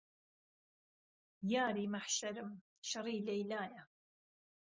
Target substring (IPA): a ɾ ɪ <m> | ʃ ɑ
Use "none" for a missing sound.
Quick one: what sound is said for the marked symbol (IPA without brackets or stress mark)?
m